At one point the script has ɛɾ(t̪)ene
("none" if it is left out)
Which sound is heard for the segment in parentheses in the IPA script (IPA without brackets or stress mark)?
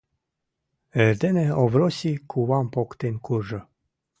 d̪